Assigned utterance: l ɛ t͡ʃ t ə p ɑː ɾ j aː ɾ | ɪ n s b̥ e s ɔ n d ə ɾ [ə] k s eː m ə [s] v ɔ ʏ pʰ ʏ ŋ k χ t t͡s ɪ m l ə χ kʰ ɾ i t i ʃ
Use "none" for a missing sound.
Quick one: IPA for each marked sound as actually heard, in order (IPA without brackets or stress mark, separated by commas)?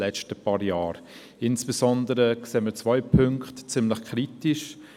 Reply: ə, t͡s